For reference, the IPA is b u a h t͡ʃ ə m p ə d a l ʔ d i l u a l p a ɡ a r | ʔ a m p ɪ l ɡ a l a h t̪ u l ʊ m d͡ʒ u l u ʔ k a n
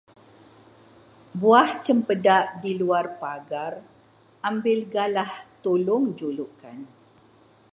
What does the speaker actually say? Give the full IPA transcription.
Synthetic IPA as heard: b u a h t͡ʃ ə m p ə d a ʔ d i l u a r p a ɡ a r | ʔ a m b ɪ l ɡ a l a h t̪ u l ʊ ŋ d͡ʒ u l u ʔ k a n